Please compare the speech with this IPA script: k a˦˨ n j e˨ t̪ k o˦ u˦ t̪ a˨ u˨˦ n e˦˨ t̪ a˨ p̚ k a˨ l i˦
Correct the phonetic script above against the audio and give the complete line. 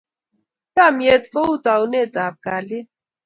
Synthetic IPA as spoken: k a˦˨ m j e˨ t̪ k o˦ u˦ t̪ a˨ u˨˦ n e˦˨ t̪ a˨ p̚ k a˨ l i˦